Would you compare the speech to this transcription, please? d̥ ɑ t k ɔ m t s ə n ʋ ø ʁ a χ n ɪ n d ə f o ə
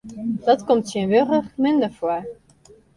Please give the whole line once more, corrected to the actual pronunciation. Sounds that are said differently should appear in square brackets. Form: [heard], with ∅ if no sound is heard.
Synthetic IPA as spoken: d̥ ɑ t k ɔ m t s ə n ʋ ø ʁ [ə] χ [m] ɪ n d ə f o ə